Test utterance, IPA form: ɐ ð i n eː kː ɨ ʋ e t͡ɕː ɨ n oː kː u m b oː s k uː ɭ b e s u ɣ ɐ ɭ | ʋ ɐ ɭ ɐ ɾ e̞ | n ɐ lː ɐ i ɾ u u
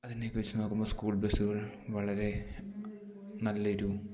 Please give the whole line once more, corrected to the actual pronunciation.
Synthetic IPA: ɐ ð i n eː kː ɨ ʋ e t͡ɕː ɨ n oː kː u m b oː s k uː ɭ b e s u ɣ ɐ ɭ | ʋ ɐ ɭ ɐ ɾ e̞ | n ɐ lː ɐ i ɾ u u